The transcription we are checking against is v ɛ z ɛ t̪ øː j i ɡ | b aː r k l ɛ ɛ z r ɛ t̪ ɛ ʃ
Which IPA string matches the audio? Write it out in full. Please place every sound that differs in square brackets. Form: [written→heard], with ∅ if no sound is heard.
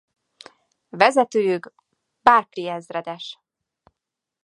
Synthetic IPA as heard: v ɛ z ɛ t̪ øː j [i→y] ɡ | b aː r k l [ɛ→i] ɛ z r ɛ [t̪→d̪] ɛ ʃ